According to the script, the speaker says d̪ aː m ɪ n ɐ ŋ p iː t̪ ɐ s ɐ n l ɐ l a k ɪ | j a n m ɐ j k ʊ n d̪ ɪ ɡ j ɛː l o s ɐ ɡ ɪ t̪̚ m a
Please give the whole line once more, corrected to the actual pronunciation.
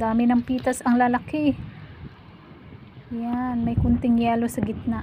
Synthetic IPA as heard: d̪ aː m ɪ n ɐ ŋ p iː t̪ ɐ s ɐ ŋ l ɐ l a k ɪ | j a n m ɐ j k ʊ n t̪ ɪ ŋ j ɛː l o s ɐ ɡ ɪ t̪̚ n a